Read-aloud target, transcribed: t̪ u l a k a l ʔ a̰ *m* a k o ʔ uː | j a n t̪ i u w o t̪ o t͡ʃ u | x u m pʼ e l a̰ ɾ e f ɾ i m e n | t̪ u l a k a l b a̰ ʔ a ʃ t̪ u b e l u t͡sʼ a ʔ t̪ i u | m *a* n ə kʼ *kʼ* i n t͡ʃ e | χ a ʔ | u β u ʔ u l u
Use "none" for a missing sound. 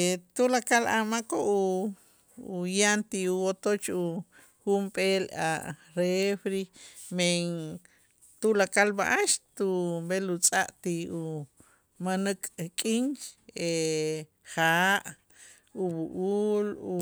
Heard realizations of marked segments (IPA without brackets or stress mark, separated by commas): m, a, kʼ